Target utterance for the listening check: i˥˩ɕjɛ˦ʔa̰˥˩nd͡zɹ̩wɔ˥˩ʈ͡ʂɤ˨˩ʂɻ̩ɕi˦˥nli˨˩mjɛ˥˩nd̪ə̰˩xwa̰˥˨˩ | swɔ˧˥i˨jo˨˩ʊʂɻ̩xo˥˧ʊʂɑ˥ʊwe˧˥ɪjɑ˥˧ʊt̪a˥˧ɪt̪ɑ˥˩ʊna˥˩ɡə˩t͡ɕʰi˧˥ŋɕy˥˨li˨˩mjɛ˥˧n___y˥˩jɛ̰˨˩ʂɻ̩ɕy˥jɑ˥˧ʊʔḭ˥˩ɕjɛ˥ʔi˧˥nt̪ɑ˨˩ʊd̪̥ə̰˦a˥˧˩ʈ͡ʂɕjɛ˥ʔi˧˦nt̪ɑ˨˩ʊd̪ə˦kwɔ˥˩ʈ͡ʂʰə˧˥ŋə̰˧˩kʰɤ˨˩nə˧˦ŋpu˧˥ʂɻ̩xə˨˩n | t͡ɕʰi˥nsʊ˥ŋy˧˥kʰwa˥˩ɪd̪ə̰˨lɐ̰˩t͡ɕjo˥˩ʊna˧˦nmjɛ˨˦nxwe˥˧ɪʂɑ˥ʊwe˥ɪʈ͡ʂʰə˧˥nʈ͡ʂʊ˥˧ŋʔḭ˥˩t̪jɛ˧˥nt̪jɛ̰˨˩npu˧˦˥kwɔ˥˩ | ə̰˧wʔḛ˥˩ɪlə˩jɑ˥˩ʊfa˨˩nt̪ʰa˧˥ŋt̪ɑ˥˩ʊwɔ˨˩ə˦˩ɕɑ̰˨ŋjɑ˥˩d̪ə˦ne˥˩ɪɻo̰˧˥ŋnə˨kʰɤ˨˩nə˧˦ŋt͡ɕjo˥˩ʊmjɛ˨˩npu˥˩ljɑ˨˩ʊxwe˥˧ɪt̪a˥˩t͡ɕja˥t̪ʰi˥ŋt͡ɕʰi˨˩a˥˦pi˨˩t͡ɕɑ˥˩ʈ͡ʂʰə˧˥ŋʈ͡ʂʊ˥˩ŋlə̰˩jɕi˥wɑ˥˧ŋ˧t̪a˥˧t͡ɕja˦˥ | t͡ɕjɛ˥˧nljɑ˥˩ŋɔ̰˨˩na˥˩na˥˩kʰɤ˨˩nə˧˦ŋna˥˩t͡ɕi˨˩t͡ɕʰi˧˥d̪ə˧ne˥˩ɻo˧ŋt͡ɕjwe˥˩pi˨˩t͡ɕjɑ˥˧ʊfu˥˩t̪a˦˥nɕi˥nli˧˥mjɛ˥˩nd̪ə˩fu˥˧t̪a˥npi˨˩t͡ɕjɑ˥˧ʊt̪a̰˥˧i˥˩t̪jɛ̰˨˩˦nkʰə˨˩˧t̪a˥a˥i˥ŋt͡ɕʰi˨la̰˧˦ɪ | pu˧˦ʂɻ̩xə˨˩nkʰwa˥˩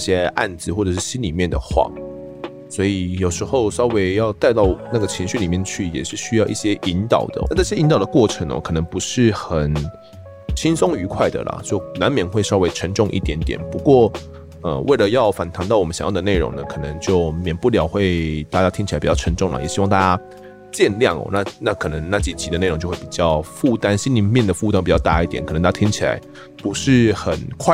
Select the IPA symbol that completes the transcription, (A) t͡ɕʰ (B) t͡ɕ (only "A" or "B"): A